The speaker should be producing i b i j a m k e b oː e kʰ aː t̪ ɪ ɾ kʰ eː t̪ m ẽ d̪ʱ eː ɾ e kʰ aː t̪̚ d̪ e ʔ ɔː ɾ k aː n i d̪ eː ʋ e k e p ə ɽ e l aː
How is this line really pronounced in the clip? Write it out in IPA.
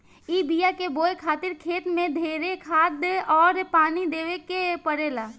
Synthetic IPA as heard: i b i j a k e b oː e kʰ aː t̪ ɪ ɾ kʰ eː t̪ m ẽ d̪ʱ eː ɾ e kʰ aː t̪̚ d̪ e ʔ ɔː ɾ p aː n i d̪ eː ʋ e k e p ə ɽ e l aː